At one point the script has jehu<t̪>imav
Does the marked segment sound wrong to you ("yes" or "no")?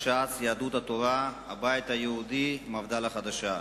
yes